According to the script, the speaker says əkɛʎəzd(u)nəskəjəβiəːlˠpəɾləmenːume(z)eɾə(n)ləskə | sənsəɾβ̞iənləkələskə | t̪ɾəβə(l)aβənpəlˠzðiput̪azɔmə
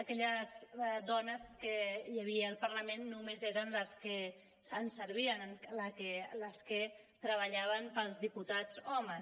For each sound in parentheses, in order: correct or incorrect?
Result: incorrect, correct, correct, incorrect

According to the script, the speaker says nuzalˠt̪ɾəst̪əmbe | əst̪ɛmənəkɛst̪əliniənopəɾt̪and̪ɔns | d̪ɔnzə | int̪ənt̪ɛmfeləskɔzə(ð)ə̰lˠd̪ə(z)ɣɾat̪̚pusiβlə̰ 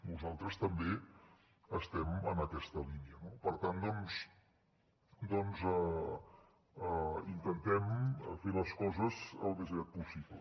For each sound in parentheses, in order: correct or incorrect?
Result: incorrect, correct

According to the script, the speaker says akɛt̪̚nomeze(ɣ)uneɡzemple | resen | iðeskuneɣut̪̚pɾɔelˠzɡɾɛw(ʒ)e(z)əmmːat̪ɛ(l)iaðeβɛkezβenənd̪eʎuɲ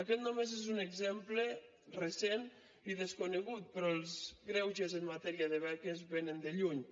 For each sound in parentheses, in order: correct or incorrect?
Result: incorrect, correct, correct, incorrect

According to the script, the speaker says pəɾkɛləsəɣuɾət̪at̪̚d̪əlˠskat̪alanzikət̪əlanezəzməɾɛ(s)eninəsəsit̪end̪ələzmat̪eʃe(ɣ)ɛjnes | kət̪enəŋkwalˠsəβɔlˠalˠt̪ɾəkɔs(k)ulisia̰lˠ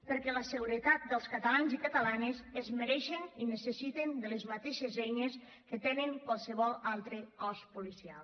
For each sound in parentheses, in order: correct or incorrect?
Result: incorrect, incorrect, incorrect

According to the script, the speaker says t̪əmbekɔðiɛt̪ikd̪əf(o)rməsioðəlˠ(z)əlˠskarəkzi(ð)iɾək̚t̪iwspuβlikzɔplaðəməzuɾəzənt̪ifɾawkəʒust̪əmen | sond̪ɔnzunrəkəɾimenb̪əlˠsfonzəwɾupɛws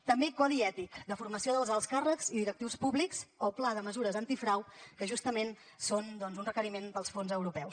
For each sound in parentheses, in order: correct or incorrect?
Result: incorrect, correct, correct

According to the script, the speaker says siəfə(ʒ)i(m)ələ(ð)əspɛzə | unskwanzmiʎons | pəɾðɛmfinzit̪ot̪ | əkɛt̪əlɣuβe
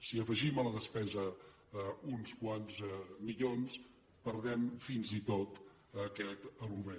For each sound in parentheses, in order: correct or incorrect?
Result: correct, correct, correct

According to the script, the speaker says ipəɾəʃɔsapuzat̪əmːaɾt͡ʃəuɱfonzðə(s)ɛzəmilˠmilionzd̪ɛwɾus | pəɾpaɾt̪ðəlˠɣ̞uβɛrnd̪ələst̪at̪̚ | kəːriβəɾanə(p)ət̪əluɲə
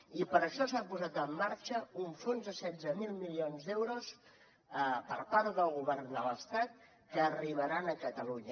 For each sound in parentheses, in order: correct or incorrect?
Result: correct, incorrect

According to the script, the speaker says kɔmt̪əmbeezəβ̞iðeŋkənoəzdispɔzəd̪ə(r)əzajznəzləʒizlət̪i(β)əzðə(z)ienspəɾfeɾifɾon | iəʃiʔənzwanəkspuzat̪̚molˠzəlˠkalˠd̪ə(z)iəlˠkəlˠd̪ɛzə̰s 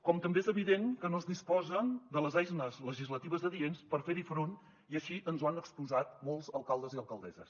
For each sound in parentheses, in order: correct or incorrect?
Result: incorrect, correct, incorrect, correct

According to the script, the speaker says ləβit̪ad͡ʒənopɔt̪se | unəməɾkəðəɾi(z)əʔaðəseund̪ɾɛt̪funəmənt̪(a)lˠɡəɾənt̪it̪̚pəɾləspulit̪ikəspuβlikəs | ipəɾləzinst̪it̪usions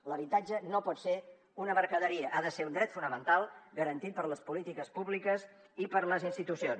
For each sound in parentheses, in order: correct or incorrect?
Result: incorrect, correct

